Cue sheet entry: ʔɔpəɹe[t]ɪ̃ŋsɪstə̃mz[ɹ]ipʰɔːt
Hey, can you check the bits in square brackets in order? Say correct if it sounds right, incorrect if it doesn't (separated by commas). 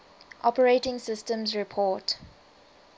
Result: correct, correct